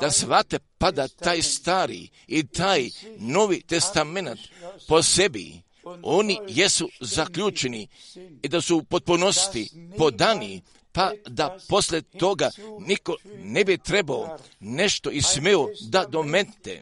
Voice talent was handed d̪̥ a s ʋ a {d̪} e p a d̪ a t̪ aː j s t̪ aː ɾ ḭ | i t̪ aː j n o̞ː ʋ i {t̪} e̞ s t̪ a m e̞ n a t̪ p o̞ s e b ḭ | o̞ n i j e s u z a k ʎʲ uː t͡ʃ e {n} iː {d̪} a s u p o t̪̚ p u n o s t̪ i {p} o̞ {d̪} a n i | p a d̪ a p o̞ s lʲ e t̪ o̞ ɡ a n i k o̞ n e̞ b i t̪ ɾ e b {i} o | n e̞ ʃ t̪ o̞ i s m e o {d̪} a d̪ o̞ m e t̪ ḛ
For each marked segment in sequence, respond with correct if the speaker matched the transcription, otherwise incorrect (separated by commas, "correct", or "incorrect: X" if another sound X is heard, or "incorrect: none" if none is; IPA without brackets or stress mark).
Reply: incorrect: t̪, correct, correct, correct, correct, correct, incorrect: a, correct